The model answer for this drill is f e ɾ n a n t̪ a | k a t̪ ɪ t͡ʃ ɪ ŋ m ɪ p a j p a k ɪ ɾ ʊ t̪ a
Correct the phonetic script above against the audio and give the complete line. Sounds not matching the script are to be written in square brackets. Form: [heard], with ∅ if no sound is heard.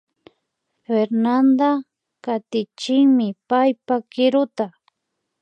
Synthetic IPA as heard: f e ɾ n a n [d̪] a | k a t̪ ɪ t͡ʃ ɪ ŋ m ɪ p a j p a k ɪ ɾ ʊ t̪ a